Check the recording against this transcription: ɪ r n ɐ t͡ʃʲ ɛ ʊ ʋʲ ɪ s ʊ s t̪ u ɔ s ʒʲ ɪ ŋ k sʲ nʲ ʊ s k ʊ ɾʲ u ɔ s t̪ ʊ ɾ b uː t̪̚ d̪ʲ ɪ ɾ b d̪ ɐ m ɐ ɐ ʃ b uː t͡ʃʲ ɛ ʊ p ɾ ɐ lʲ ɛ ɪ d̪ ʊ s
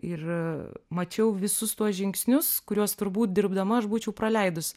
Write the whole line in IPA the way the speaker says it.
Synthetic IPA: ɪ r m ɐ t͡ʃʲ ɛ ʊ ʋʲ ɪ s ʊ s t̪ u ɔ s ʒʲ ɪ ŋ k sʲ nʲ ʊ s k ʊ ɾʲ u ɔ s t̪ ʊ ɾ b uː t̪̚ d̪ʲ ɪ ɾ b d̪ ɐ m ɐ ɐ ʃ b uː t͡ʃʲ ɛ ʊ p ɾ ɐ lʲ ɛ ɪ d̪ ʊ s